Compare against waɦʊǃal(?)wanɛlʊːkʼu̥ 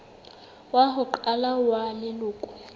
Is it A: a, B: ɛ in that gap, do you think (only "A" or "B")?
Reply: A